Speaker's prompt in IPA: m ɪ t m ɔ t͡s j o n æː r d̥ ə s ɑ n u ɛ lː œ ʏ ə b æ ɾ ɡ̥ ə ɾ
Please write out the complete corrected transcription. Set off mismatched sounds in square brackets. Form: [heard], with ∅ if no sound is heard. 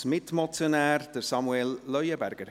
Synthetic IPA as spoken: m ɪ t m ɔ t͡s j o n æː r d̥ ə s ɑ [m] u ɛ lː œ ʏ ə b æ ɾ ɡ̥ ə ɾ

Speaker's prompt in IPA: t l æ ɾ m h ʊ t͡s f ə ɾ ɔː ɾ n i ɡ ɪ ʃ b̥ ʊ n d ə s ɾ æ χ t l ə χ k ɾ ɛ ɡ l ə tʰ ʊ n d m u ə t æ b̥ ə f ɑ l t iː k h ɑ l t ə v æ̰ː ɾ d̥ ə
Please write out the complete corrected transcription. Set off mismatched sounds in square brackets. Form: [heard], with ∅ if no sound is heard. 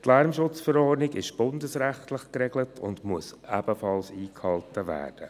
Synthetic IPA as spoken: t l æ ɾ m [ʃ] ʊ t͡s f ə ɾ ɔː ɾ n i ɡ ɪ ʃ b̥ ʊ n d ə s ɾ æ χ t l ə χ k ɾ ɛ ɡ l ə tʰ ʊ n d m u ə [s] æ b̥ ə f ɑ l [s] iː k h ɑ l t ə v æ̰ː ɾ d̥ ə

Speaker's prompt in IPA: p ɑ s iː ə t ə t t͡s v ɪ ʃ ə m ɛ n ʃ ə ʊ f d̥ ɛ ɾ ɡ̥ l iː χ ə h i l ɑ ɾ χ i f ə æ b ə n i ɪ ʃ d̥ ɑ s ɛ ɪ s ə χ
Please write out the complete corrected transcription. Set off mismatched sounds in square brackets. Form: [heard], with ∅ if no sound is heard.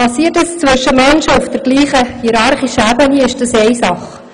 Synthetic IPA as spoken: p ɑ s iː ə t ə [s] t͡s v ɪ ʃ ə m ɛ n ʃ ə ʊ f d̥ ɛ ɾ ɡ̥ l iː χ ə h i [ɾ] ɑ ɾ χ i [ʃ] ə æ b ə n i ɪ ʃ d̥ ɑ s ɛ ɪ s [ɑ] χ

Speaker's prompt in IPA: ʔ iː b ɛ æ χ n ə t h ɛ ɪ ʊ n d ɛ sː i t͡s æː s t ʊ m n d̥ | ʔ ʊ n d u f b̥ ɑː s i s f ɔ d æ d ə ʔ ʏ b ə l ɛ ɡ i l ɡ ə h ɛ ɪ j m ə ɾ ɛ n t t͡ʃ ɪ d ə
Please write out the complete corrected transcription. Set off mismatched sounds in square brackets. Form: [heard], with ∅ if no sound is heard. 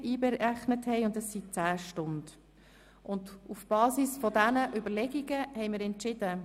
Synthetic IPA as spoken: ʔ iː b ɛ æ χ n ə t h ɛ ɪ ʊ n d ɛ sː i t͡s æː [ʃ] t ʊ [∅] n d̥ | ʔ ʊ n d u f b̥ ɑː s i s f ɔ d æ [n] ə ʔ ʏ b ə l ɛ ɡ i [∅] ɡ ə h ɛ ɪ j m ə ɾ ɛ n t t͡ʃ ɪ d ə

